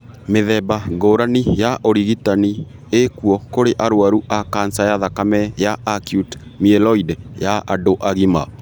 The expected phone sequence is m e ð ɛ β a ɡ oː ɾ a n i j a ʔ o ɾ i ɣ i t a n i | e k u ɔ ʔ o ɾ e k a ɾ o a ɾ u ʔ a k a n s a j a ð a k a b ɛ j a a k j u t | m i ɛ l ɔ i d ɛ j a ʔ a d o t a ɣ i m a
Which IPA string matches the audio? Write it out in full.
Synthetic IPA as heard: m e ð ɛ b a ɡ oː ɾ a n i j a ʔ o ɾ i ɣ i t a n i | e k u ɔ k o ɾ e ʔ a ɾ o a ɾ u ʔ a k a n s a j a ð a k a m ɛ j a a k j u t | m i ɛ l ɔ i d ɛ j a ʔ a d o ʔ a ɣ i m a